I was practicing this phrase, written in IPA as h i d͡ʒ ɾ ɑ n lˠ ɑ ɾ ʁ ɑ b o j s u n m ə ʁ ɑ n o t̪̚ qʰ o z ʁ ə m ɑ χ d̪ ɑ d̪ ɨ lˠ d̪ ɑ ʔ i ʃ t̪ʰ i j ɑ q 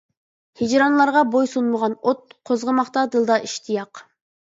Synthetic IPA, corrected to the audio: h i d͡ʒ ɾ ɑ n lˠ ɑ ɾ ʁ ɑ b o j s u n m ə ʁ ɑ n o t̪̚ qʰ o z ʁ ə m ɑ χ t̪ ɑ d̪ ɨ lˠ d̪ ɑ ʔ i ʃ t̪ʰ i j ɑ q